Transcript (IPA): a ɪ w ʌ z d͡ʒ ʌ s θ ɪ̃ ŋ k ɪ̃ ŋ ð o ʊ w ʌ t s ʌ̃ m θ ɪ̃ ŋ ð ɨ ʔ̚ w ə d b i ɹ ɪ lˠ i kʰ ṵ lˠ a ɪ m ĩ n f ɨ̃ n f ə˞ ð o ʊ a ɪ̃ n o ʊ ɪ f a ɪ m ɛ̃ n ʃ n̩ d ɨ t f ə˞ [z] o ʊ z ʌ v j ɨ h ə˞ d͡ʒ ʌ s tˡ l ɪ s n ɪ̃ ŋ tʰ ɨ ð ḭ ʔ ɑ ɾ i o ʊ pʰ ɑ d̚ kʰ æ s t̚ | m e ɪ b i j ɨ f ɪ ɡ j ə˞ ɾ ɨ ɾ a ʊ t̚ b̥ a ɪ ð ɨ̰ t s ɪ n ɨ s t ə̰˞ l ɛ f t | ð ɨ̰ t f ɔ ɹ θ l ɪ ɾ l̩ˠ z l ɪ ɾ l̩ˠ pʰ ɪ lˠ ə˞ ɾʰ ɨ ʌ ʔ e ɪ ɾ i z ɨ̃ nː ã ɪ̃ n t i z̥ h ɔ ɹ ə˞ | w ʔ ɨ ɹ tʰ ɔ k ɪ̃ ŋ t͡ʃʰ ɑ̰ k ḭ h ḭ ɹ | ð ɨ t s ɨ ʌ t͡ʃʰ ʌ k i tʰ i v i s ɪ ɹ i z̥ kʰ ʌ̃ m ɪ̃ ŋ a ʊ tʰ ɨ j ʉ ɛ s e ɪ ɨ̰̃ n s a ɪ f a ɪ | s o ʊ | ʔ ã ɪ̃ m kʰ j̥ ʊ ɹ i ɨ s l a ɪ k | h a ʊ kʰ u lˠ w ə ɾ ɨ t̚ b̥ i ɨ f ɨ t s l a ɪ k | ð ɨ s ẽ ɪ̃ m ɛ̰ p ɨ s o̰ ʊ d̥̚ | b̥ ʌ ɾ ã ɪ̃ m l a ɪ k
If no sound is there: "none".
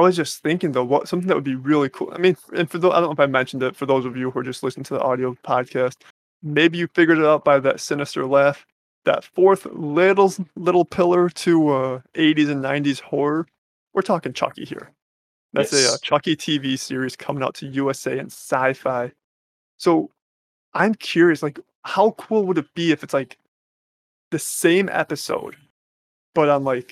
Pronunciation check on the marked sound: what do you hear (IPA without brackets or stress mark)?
ð